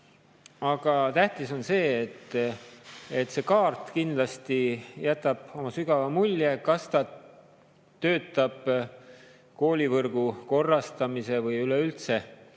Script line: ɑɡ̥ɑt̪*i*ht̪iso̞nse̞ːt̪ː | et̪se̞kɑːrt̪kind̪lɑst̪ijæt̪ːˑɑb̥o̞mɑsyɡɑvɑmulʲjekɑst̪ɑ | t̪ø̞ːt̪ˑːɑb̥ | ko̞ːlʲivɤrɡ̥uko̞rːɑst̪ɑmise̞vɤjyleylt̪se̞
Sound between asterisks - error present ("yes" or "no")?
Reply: yes